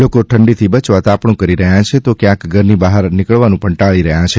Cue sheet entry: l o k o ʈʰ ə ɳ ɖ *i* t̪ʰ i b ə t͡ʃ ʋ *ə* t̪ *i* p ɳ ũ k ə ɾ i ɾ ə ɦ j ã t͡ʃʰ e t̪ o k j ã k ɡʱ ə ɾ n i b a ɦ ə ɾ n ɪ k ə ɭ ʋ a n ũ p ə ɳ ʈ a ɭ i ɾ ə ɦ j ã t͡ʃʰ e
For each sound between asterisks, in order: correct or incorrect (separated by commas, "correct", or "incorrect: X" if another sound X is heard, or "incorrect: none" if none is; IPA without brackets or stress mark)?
correct, incorrect: a, incorrect: a